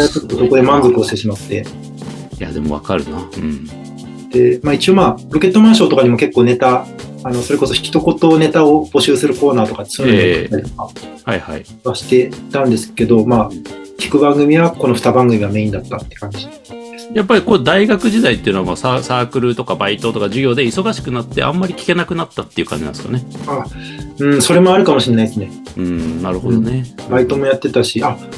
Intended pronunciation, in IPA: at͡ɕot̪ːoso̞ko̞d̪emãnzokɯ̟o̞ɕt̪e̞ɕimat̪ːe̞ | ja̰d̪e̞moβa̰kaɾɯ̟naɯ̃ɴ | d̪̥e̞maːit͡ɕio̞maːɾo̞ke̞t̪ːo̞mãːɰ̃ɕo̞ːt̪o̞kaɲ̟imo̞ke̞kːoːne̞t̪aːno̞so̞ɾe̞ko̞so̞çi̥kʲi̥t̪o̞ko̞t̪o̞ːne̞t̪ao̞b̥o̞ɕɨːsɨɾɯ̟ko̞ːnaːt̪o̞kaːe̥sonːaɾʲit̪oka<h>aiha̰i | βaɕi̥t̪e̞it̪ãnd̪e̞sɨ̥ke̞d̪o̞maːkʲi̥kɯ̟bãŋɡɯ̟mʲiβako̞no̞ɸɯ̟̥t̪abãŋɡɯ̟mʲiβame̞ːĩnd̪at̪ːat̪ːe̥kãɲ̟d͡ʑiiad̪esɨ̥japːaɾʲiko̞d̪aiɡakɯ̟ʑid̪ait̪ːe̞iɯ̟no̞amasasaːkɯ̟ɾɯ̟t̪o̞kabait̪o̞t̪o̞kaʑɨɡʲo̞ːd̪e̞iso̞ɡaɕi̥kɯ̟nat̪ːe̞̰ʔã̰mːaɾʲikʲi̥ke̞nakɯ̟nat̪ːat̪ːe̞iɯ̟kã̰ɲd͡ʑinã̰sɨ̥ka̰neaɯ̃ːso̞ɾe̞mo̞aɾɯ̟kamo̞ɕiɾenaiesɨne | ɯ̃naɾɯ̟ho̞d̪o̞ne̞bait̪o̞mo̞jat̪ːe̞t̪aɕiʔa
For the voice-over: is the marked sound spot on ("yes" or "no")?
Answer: yes